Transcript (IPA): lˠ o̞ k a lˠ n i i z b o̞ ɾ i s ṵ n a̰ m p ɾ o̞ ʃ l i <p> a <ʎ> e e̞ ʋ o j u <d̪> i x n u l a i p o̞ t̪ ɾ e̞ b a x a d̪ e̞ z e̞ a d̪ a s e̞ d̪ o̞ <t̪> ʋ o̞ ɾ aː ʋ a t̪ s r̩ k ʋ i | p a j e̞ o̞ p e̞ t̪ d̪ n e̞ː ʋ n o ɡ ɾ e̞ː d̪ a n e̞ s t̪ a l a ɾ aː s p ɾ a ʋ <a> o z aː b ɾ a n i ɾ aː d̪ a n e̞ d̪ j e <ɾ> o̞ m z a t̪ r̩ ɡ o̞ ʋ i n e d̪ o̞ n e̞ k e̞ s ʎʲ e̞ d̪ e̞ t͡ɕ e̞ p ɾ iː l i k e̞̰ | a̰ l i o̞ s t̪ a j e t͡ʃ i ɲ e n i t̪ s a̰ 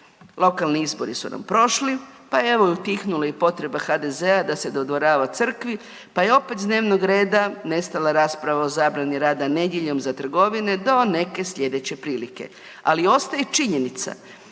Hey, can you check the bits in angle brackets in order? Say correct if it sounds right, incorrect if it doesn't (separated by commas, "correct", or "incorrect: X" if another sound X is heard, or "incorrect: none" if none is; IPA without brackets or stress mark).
correct, incorrect: j, incorrect: t̪, incorrect: d̪, correct, incorrect: ʎ